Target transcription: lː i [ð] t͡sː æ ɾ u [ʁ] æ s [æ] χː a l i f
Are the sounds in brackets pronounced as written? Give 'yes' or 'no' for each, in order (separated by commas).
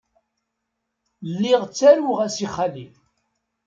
no, yes, no